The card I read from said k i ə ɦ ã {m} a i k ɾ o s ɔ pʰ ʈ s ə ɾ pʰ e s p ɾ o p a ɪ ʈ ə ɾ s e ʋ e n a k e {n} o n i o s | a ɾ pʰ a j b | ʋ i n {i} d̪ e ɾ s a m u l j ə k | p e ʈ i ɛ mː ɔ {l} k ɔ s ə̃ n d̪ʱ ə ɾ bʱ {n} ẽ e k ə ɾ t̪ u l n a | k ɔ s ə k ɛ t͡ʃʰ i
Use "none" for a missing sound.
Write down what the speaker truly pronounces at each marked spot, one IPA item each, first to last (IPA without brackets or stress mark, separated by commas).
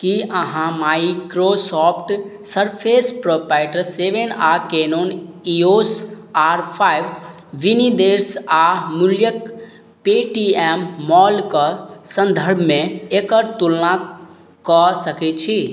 m, n, i, l, m